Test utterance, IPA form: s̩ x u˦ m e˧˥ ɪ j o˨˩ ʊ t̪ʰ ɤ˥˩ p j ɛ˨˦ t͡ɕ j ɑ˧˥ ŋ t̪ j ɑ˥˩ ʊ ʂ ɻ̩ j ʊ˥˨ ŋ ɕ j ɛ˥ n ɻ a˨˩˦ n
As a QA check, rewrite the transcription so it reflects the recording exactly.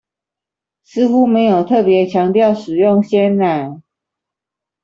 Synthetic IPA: s̩ x u˦ m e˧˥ ɪ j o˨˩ ʊ t̪ʰ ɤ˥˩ p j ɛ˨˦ t͡ɕʰ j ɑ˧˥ ŋ t̪ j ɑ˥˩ ʊ ʂ ɻ̩ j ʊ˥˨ ŋ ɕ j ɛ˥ n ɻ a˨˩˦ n